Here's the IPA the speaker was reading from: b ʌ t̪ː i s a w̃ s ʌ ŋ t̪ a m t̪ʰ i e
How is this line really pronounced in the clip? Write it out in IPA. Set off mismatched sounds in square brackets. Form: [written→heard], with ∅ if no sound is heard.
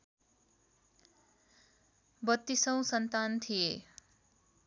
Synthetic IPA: b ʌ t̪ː i s [a→ʌ] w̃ s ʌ [ŋ→n] t̪ a [m→n] t̪ʰ i e